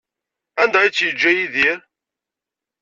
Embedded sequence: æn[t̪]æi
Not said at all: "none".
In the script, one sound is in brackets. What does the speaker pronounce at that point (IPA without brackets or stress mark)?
d̪